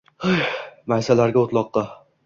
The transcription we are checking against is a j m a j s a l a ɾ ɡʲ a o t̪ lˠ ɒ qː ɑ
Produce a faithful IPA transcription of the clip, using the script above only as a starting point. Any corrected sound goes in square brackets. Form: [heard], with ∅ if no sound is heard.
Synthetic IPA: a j m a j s a l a ɾ ɡʲ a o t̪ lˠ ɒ qː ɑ